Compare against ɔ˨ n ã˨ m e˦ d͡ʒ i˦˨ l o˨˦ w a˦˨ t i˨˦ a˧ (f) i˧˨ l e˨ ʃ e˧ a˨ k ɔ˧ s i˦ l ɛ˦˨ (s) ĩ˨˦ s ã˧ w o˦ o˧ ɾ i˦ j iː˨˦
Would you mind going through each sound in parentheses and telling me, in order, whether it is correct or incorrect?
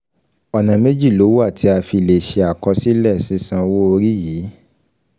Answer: correct, correct

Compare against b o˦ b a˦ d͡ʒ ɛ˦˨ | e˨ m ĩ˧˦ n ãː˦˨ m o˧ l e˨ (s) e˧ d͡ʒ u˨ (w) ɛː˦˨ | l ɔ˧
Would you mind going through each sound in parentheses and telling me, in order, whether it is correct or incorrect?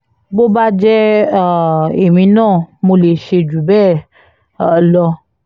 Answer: incorrect, incorrect

